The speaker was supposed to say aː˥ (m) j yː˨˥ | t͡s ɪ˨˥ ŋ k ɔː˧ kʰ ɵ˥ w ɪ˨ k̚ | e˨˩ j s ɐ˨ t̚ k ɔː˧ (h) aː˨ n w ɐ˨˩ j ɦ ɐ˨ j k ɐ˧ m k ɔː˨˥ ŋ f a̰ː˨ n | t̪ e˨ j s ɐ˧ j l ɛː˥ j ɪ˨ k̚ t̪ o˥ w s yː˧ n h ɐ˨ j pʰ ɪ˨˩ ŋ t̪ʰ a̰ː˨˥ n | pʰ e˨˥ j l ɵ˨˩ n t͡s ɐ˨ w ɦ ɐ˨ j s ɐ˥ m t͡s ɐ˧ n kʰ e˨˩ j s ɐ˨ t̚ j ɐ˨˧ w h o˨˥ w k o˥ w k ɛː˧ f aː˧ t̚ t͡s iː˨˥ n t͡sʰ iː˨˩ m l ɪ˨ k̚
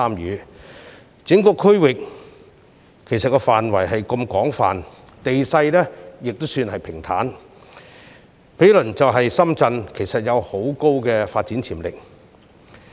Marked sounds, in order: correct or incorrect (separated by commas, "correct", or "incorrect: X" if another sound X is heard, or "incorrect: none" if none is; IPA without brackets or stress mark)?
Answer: correct, incorrect: f